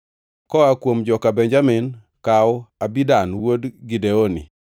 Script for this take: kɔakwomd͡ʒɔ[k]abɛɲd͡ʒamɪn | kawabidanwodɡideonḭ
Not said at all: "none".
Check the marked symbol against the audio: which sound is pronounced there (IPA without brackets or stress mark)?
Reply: k